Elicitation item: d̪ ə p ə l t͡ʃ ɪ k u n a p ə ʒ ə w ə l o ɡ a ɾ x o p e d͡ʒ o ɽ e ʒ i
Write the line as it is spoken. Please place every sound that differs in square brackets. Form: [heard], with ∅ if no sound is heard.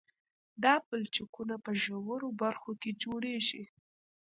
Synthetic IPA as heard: d̪ [ɑ] p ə l t͡ʃ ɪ k u n a p ə ʒ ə w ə [ɾ] o [b] a ɾ x o [k] e d͡ʒ o ɽ e ʒ i